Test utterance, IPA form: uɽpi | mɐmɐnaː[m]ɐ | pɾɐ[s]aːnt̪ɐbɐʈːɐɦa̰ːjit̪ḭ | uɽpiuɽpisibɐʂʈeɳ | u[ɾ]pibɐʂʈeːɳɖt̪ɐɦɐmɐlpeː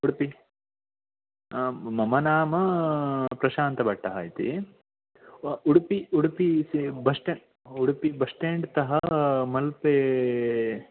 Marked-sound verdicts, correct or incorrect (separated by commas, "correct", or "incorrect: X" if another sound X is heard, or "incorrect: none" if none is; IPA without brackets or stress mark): correct, incorrect: ʃ, incorrect: ɽ